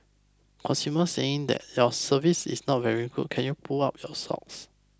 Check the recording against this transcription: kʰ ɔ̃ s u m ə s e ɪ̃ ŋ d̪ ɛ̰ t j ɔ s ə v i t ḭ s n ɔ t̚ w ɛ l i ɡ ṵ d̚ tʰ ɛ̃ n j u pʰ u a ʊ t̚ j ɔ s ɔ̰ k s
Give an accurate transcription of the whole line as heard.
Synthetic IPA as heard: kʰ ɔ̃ s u m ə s e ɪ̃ ŋ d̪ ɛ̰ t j ɔ s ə v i s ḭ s n ɔ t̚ v ɛ ɹ i ɡ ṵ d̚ kʰ ɛ̃ n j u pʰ u a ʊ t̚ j ɔ s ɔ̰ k s